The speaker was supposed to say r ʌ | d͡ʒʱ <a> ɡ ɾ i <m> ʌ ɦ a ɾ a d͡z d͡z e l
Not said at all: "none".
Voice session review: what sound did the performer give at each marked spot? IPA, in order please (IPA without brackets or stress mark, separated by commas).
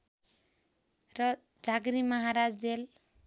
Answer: a, m